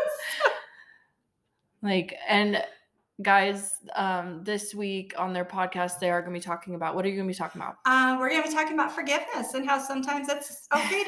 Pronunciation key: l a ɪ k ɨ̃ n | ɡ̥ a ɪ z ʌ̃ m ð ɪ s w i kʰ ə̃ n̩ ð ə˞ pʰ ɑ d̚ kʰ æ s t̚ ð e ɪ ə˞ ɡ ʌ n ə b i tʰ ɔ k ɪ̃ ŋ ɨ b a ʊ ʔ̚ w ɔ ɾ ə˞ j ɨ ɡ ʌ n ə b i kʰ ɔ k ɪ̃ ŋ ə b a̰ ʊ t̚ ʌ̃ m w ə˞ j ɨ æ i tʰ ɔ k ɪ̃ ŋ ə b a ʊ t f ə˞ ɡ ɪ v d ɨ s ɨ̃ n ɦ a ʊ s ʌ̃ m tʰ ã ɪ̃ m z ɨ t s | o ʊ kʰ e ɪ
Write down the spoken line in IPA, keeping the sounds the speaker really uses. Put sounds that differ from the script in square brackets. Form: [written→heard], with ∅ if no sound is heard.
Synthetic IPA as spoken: l a ɪ k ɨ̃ n | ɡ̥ a ɪ z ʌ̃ m ð ɪ s w i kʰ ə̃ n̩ ð ə˞ pʰ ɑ d̚ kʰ æ s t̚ ð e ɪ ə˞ ɡ ʌ n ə b i tʰ ɔ k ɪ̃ ŋ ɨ b a ʊ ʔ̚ w [ɔ→ʌ] ɾ ə˞ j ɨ ɡ ʌ n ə b i [kʰ→tʰ] ɔ k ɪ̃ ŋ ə b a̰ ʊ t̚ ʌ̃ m w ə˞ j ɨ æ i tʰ ɔ k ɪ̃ ŋ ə b a ʊ t f ə˞ ɡ ɪ v [d→n] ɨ s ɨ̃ n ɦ a ʊ s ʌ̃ m tʰ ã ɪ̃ m z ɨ t s | o ʊ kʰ e ɪ